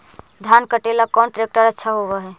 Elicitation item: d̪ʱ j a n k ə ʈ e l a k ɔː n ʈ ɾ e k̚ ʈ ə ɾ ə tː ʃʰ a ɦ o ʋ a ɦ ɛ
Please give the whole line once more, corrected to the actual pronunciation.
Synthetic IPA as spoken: d̪ʱ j a n k ə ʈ e l a k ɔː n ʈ ɾ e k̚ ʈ ə ɾ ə tː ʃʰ a ɦ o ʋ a ɦ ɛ